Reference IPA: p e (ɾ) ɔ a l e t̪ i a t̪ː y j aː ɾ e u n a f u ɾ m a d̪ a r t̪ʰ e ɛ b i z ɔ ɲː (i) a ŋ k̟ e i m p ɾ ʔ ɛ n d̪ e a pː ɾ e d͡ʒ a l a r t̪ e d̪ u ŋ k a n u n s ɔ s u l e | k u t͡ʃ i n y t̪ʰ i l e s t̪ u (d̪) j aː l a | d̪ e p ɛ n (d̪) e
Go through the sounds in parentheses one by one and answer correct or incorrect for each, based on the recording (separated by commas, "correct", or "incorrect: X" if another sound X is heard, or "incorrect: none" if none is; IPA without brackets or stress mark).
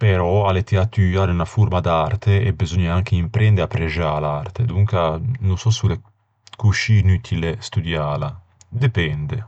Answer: correct, incorrect: a, correct, correct